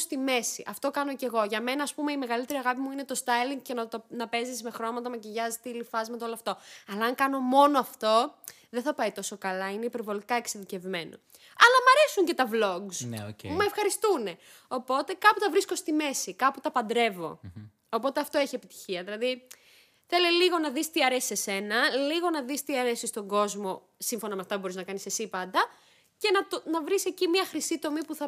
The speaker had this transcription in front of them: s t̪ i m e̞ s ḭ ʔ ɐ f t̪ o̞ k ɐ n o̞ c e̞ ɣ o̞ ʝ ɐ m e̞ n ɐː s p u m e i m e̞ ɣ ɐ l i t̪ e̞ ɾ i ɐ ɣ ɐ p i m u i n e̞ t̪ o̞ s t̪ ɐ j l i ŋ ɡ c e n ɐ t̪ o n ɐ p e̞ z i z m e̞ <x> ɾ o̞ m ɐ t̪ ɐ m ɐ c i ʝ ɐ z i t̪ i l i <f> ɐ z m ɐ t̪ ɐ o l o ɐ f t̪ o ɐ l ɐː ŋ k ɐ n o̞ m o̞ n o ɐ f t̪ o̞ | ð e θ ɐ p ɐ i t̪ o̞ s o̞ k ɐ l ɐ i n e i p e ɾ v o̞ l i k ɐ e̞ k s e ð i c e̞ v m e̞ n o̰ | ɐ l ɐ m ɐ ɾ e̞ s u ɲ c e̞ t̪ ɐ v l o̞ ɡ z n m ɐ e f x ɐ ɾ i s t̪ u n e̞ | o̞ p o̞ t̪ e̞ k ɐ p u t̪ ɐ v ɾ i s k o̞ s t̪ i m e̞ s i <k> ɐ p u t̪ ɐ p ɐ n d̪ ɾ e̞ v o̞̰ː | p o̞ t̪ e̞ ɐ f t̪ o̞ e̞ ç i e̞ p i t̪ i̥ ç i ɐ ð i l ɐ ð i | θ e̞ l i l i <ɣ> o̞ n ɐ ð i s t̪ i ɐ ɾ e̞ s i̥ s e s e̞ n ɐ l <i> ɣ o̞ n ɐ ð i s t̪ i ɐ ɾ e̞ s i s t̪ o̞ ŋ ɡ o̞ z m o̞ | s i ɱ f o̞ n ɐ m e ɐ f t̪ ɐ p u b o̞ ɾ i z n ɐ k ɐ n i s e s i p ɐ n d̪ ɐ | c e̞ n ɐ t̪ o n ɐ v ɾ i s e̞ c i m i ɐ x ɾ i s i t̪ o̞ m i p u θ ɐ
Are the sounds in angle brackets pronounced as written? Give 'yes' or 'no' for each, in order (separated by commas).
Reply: yes, yes, yes, yes, yes